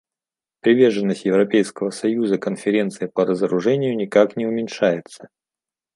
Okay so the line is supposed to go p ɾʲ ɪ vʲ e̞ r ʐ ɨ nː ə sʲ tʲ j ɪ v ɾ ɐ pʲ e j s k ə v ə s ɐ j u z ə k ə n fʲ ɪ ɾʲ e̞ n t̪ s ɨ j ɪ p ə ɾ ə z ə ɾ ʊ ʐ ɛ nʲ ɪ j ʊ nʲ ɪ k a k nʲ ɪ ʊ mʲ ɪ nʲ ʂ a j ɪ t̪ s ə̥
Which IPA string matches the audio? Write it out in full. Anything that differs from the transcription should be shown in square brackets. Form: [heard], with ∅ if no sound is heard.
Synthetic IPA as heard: p ɾʲ ɪ vʲ e̞ r ʐ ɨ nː ə sʲ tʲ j ɪ v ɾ ɐ pʲ e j s k ə v ə s ɐ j u z ə k ə n fʲ ɪ ɾʲ e̞ n t̪ s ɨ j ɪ p ə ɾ ə z ə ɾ ʊ ʐ ɛ nʲ ɪ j ʊ nʲ ɪ k a k nʲ ɪ ʊ mʲ ɪ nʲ ʂ a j ɪ t̪ s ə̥